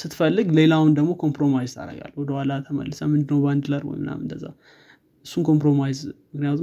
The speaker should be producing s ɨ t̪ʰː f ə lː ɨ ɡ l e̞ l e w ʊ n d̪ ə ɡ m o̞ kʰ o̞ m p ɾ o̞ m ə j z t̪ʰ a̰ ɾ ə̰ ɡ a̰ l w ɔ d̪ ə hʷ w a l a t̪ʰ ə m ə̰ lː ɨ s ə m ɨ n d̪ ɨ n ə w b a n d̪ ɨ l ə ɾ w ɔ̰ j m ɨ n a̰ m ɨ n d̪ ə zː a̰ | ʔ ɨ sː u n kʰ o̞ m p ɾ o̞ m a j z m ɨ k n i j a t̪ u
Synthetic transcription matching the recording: s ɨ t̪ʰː f ə lː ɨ ɡ l e̞ l a w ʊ n d̪ ə ɡ m o̞ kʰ o̞ m p ɾ o̞ m a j z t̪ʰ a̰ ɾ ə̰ ɡ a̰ l w ɔ d̪ ə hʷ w a l a t̪ʰ ə m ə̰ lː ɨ s ə m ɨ n d̪ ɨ n ə w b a n d̪ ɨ l ə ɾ w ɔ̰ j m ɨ n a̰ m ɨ n d̪ ə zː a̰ | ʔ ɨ sː u n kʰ o̞ m p ɾ o̞ m a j z m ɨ k n i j a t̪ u